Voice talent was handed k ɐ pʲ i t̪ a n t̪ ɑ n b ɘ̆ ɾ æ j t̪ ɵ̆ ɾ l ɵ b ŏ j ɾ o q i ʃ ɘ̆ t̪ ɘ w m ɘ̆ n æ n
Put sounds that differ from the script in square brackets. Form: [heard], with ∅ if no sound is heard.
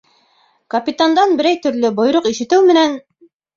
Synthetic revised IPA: k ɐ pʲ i t̪ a n [d̪] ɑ n b ɘ̆ ɾ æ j t̪ ɵ̆ ɾ l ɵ b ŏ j ɾ o q i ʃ ɘ̆ t̪ ɘ w m ɘ̆ n æ n

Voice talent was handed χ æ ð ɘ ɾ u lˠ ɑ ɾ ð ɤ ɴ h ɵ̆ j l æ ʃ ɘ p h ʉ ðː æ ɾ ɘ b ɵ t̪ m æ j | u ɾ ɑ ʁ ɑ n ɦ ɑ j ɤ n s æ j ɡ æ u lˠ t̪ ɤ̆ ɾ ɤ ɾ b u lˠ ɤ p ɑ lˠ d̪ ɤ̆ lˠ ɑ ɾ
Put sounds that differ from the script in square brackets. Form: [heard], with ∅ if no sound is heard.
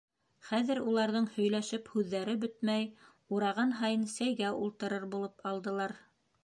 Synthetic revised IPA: χ æ ð ɘ ɾ u lˠ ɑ ɾ ð ɤ ɴ h ɵ̆ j l æ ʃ ɘ p h ʉ ðː æ ɾ ɘ b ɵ t̪ m æ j | u ɾ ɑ ʁ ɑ n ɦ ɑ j ɤ n s æ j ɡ æ u lˠ t̪ ɤ̆ ɾ ɤ ɾ b u lˠ ɤ p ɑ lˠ d̪ ɤ̆ lˠ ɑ ɾ

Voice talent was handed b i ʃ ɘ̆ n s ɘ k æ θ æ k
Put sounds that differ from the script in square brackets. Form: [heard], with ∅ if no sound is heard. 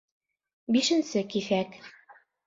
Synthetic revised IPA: b i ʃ ɘ̆ n s ɘ k [i] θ æ k

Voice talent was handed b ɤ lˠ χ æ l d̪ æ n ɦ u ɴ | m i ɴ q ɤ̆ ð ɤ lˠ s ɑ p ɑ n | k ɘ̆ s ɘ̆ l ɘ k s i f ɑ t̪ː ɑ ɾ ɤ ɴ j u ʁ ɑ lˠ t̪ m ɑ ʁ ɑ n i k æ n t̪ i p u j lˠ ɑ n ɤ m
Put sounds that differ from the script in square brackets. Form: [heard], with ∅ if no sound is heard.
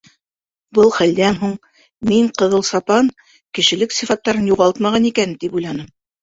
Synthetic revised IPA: b ɤ lˠ χ æ l d̪ æ n ɦ u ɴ | m i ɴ q ɤ̆ ð ɤ lˠ s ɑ p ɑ n | k ɘ̆ [ʃ] ɘ̆ l ɘ k s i f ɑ t̪ː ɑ ɾ ɤ [n] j u ʁ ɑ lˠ t̪ m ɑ ʁ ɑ n i k æ n t̪ i p u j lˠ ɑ n ɤ m

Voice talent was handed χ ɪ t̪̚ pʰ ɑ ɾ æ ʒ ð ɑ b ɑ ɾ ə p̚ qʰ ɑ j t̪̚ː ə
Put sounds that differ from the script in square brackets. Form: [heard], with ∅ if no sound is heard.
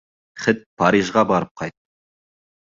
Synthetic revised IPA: χ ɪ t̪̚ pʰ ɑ ɾ [i] ʒ [ʁ] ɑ b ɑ ɾ ə p̚ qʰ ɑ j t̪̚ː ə

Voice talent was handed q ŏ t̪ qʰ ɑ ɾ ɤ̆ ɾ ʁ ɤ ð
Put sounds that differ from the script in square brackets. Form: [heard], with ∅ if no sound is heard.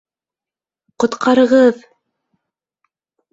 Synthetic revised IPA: q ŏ t̪ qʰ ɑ ɾ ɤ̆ [∅] ʁ ɤ ð

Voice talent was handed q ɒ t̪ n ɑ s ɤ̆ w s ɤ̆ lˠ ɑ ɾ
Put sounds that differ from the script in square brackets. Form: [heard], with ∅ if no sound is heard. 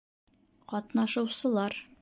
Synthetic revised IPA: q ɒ t̪ n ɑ [ʃ] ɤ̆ w s ɤ̆ lˠ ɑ ɾ

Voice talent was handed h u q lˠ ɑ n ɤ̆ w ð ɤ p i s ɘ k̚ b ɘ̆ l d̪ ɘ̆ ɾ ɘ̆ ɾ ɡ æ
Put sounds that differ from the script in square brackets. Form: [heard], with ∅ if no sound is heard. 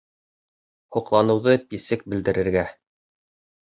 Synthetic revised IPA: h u q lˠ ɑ n ɤ̆ w ð ɤ p i s ɘ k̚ b ɘ̆ l d̪ ɘ̆ ɾ ɘ̆ ɾ ɡ æ

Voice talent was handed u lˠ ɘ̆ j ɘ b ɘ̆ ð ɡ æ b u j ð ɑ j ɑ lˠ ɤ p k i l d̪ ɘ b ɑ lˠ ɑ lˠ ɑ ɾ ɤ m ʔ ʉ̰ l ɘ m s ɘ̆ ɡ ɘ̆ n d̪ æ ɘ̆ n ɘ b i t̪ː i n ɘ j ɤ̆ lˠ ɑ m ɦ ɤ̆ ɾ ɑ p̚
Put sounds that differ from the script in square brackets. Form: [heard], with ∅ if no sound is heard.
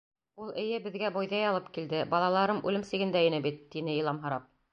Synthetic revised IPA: u lˠ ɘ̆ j ɘ b ɘ̆ ð ɡ æ b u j ð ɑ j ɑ lˠ ɤ p k i l d̪ ɘ b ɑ lˠ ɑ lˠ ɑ ɾ ɤ m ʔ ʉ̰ l ɘ m s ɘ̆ ɡ ɘ̆ n d̪ æ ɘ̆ n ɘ b i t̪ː i n ɘ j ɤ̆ lˠ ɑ m ɦ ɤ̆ ɾ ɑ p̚

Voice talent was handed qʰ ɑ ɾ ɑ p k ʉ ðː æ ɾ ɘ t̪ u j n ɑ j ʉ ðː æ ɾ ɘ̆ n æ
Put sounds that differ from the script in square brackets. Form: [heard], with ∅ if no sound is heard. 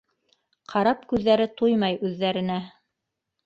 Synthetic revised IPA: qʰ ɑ ɾ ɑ p k ʉ ðː æ ɾ ɘ t̪ u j [m] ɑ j ʉ ðː æ ɾ ɘ̆ n æ

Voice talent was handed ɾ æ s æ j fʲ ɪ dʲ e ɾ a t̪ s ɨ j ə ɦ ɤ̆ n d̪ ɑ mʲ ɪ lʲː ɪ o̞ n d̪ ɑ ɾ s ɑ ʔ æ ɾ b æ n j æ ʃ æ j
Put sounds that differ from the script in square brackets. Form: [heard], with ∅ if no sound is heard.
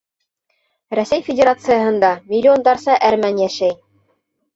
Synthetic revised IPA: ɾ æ s æ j fʲ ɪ dʲ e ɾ a t̪ s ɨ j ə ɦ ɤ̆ n d̪ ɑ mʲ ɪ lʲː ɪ o̞ n d̪ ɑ ɾ s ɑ ʔ æ ɾ [m] æ n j æ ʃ æ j

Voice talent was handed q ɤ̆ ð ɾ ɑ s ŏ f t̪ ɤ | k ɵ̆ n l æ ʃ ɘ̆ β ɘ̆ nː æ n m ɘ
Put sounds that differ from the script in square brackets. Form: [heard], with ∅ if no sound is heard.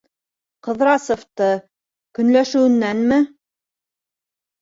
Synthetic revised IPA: q ɤ̆ ð ɾ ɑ s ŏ f t̪ ɤ | k ɵ̆ n l æ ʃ ɘ̆ [w] ɘ̆ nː æ n m ɘ

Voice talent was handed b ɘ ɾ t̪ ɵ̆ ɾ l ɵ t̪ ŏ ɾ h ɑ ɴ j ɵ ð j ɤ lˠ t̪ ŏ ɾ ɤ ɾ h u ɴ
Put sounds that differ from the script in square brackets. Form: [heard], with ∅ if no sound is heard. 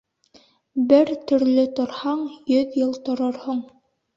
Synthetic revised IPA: b ɘ ɾ t̪ ɵ̆ ɾ l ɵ t̪ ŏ ɾ h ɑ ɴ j ɵ ð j ɤ lˠ t̪ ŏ ɾ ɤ ɾ h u ɴ

